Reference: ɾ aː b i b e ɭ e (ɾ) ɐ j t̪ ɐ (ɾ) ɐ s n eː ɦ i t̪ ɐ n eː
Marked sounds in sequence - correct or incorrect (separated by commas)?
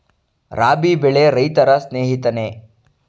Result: correct, correct